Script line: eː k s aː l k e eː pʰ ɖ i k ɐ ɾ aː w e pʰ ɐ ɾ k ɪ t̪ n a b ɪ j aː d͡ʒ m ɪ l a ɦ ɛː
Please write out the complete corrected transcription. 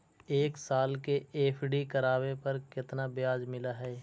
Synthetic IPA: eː k s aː l k e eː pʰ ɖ i k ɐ ɾ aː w e p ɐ ɾ k ɪ t̪ n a b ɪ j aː d͡ʒ m ɪ l a ɦ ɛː